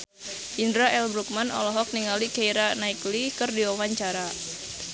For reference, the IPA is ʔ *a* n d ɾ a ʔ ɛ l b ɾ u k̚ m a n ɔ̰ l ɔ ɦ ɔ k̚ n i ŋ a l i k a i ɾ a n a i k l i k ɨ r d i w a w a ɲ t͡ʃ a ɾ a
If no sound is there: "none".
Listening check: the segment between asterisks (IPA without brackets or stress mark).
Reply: i